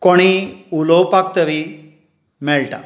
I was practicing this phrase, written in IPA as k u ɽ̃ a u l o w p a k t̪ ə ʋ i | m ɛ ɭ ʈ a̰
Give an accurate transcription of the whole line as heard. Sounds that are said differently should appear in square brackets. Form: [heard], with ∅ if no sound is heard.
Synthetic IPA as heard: k [o] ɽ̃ [i] u l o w p a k t̪ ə ʋ i | m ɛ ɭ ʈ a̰